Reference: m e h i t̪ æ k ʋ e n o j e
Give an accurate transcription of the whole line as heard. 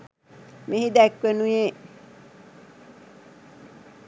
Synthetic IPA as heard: m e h i d̪ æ k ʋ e n u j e